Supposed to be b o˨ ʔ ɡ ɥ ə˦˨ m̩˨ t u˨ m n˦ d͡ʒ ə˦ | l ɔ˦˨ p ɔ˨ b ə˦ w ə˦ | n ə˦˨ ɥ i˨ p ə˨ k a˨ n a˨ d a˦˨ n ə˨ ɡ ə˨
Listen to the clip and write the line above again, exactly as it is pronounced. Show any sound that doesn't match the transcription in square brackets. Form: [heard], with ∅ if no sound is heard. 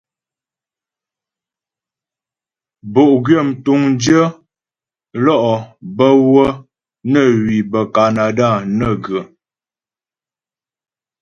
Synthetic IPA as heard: b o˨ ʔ ɡ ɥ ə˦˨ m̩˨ t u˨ [ŋ] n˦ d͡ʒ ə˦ | l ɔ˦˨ [ʔ] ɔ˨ b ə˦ w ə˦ | n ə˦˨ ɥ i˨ [b] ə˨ k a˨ n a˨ d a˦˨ n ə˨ ɡ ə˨